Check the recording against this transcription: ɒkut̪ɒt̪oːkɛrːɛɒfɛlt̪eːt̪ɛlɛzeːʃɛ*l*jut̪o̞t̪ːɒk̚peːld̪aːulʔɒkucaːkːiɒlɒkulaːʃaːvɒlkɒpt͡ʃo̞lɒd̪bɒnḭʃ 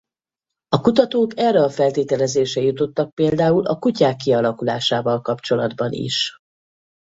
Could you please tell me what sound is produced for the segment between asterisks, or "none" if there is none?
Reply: none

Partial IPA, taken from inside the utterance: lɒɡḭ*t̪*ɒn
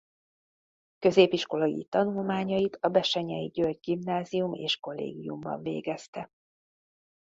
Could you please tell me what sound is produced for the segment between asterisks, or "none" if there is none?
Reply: t̪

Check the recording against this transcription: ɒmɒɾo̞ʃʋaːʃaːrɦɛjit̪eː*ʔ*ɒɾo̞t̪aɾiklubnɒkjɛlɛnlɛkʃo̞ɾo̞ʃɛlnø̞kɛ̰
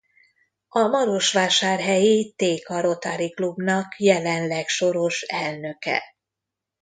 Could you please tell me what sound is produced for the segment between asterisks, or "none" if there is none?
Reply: k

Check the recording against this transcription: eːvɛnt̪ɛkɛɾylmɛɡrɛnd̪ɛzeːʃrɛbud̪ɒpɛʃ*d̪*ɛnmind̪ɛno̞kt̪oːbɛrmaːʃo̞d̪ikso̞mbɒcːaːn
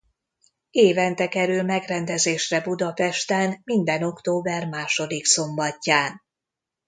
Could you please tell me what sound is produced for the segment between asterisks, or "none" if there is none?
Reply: t̪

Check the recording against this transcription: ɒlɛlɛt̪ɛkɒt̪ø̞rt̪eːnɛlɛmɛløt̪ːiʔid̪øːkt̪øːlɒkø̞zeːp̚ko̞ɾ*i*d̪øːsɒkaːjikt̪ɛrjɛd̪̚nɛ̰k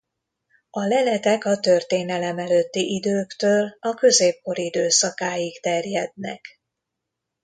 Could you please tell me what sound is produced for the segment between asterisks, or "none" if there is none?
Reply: i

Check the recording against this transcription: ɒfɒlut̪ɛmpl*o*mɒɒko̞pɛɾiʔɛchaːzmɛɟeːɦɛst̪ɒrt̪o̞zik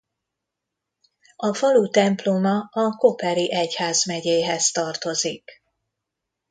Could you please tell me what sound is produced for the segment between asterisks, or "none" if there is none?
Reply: o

